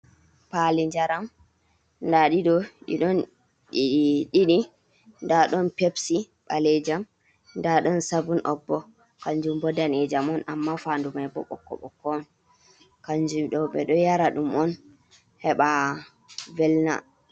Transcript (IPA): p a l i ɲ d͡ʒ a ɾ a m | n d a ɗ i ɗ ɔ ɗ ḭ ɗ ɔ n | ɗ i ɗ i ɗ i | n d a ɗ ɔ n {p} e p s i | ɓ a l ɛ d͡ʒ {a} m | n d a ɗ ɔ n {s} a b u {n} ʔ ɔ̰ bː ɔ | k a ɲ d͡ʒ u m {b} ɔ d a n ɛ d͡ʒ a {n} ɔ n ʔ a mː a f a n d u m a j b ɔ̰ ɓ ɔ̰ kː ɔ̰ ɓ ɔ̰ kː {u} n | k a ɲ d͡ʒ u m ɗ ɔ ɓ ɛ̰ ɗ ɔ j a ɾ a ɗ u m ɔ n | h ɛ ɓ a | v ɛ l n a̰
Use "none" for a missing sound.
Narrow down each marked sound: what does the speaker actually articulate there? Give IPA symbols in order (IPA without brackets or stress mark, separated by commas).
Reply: p, a, s, n, b, m, ɔ